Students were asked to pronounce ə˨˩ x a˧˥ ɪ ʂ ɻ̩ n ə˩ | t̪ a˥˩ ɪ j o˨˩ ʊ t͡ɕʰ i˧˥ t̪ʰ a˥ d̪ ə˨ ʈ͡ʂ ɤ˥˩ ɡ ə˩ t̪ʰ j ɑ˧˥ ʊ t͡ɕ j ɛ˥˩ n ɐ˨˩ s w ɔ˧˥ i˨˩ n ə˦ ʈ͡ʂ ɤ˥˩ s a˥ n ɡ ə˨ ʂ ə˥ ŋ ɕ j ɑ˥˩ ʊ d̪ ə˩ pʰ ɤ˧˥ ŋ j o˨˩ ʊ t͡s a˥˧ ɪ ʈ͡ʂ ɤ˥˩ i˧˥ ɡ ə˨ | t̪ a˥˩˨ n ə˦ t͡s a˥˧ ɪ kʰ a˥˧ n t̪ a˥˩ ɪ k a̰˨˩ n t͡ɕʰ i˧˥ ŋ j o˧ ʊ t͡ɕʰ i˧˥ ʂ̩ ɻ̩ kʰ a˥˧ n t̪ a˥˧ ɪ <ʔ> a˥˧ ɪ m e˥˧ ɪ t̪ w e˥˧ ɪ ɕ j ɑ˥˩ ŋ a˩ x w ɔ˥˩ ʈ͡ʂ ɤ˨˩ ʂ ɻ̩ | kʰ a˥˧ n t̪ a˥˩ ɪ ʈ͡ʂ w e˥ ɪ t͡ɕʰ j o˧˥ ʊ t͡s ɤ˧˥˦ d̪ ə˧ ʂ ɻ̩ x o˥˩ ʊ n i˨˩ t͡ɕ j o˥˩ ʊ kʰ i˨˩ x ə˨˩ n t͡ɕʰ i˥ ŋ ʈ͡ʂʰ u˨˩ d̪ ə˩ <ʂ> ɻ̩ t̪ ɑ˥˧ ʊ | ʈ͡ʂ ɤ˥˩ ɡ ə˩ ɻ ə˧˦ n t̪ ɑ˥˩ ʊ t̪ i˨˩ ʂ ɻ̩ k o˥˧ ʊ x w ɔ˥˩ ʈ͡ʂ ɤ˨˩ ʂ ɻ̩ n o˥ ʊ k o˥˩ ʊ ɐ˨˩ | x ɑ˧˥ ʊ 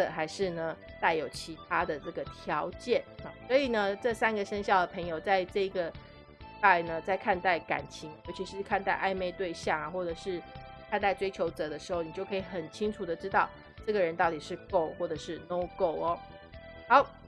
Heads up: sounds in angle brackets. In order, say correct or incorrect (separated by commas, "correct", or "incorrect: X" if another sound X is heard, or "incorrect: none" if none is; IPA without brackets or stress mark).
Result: correct, incorrect: ʈ͡ʂ